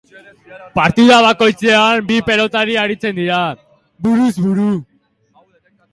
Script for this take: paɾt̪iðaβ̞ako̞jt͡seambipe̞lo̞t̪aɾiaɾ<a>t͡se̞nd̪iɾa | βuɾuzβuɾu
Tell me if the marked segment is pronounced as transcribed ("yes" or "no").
no